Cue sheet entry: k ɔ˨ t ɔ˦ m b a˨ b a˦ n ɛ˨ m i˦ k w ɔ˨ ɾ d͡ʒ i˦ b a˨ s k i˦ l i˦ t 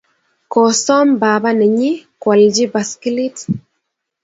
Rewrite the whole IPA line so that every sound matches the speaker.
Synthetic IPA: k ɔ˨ s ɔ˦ m b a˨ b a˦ n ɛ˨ ɲ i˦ k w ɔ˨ l d͡ʒ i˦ b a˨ s k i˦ l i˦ t